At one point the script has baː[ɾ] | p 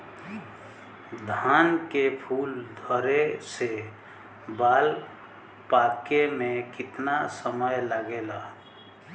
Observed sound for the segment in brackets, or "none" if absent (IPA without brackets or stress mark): l